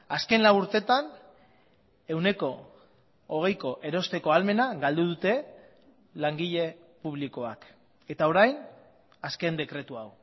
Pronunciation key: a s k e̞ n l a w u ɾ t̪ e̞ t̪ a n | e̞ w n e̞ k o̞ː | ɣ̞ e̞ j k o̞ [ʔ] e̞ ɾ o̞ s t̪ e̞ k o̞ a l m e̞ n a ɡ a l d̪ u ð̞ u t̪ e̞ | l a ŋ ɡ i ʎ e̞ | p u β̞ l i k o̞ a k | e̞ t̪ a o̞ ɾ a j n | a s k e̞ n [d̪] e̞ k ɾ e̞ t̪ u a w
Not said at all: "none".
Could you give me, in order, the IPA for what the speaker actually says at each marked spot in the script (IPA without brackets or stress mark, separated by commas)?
ʔ, d̪